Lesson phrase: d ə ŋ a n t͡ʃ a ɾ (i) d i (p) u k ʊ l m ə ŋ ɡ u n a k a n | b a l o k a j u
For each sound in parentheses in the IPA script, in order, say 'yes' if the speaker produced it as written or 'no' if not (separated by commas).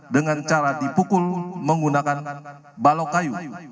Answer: no, yes